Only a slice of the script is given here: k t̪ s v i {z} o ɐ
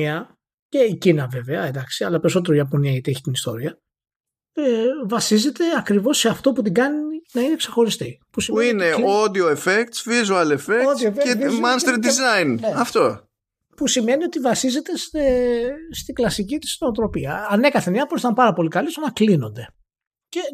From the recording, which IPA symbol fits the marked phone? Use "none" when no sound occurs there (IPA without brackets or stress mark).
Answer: z